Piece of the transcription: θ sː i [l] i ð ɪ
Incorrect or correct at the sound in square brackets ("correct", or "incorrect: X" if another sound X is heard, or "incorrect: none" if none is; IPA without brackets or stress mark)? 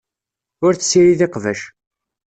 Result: incorrect: ɾ